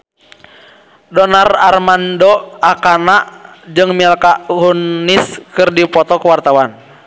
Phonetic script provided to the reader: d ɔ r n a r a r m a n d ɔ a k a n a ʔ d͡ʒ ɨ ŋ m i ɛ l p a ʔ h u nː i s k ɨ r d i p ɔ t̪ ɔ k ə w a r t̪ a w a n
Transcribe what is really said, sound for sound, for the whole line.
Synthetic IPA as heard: d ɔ n a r a r m a n d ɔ a k a n a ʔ d͡ʒ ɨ ŋ m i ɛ l k a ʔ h u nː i s k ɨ r d i p ɔ t̪ ɔ k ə w a r t̪ a w a n